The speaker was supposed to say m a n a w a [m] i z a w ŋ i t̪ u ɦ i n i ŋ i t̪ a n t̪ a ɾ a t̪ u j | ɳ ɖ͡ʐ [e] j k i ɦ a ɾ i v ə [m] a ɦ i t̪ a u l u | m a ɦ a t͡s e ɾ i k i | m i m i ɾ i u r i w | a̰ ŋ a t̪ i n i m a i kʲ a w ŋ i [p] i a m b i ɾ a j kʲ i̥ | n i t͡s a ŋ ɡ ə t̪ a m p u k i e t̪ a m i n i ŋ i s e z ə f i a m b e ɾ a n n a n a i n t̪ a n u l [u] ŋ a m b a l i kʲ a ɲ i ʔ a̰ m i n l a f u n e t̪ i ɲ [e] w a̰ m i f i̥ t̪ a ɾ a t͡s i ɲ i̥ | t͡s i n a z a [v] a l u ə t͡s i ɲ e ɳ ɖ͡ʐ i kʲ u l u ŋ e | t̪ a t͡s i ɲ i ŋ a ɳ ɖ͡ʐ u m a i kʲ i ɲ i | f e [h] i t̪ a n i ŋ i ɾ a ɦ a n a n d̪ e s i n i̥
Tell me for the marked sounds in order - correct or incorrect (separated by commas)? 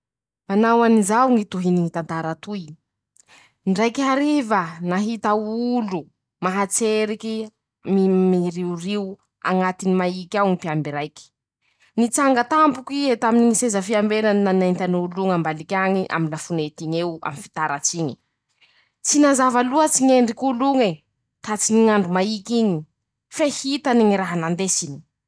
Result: incorrect, incorrect, incorrect, correct, correct, correct, correct, correct